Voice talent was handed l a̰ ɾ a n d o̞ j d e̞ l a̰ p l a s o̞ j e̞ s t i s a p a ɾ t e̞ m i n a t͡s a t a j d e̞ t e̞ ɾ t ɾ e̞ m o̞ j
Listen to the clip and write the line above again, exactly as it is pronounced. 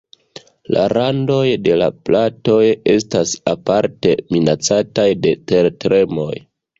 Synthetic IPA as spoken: l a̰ ɾ a n d o̞ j d e̞ l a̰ p l a t o̞ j e̞ s t a s a p a ɾ t e̞ m i n a t͡s a t a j d e̞ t e̞ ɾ t ɾ e̞ m o̞ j